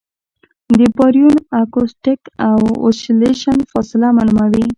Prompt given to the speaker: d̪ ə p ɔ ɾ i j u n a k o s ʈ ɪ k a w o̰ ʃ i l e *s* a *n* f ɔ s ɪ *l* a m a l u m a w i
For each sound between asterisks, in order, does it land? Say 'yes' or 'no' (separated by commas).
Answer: no, yes, yes